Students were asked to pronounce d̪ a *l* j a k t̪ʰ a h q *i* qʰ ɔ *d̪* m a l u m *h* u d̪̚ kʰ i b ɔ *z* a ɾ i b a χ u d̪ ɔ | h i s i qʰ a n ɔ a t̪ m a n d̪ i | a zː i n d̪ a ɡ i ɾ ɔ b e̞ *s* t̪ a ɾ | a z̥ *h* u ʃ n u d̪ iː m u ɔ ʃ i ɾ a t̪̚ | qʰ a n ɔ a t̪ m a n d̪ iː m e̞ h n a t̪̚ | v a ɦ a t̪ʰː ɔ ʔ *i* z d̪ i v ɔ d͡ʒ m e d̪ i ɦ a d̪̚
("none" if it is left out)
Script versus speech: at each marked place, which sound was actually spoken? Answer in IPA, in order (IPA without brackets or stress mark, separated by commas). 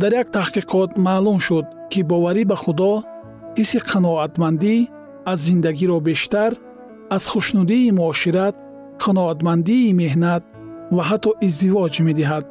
ɾ, i, t̪, ʃ, v, ʃ, χ, i